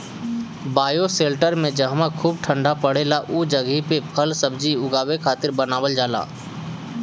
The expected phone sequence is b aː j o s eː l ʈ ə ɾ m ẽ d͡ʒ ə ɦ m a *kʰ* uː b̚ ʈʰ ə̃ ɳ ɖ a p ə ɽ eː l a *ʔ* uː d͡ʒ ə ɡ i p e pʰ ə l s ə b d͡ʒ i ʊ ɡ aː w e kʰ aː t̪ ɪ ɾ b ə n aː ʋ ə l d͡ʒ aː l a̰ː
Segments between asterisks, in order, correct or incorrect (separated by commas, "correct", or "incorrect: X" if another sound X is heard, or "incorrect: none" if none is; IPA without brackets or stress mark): correct, correct